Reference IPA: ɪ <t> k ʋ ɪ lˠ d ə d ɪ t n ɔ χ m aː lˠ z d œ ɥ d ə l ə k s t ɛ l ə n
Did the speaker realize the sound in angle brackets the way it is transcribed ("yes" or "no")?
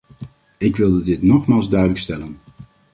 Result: no